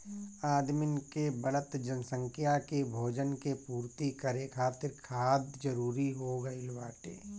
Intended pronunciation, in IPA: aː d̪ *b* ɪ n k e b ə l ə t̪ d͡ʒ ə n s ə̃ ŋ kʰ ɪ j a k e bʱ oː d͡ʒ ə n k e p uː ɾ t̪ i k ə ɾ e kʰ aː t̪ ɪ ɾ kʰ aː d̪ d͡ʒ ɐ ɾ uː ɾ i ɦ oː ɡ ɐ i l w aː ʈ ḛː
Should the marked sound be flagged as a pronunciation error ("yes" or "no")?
yes